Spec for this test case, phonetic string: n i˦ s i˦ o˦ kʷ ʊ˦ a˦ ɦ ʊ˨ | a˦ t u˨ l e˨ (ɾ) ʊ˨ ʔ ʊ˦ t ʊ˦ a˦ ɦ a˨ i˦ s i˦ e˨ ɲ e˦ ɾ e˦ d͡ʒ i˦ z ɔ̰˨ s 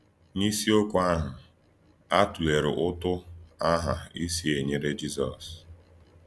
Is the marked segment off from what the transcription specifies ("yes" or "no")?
no